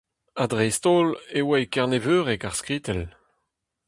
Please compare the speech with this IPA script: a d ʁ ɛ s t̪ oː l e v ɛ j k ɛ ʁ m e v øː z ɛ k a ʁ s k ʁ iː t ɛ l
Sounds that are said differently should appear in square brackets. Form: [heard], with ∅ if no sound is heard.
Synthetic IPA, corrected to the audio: a d ʁ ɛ s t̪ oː l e [w] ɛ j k ɛ ʁ [n] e v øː [ʁ] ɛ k a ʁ s k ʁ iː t ɛ l